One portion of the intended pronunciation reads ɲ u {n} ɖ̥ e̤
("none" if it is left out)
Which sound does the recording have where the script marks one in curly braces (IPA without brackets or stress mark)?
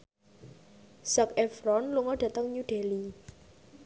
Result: none